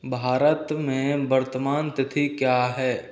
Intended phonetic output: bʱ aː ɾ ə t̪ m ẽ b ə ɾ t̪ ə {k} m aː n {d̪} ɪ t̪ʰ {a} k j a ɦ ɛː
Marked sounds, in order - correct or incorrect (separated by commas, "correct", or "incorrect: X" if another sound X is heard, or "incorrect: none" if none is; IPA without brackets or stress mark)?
incorrect: none, incorrect: t̪, incorrect: i